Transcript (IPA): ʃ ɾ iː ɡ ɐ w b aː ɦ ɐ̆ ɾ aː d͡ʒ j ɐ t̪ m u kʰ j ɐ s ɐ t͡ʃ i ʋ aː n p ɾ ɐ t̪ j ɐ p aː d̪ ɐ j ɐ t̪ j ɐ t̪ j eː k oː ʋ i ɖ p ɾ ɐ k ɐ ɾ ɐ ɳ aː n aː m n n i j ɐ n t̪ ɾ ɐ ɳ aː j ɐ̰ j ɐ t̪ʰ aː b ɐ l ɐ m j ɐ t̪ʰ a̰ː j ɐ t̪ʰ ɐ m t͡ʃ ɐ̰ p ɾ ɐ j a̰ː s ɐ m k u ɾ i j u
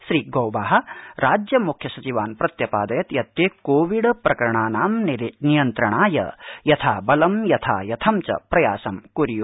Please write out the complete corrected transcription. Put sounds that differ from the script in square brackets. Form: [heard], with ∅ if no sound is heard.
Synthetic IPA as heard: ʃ ɾ iː ɡ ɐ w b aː ɦ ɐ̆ ɾ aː d͡ʒ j ɐ [∅] m u kʰ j ɐ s ɐ t͡ʃ i ʋ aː n p ɾ ɐ t̪ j ɐ p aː d̪ ɐ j ɐ t̪ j ɐ t̪ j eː k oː ʋ i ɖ p ɾ ɐ k ɐ ɾ ɐ ɳ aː n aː m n n i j ɐ n t̪ ɾ ɐ ɳ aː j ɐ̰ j ɐ t̪ʰ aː b ɐ l ɐ m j ɐ t̪ʰ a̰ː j ɐ t̪ʰ ɐ m t͡ʃ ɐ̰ p ɾ ɐ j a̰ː s ɐ m k u ɾ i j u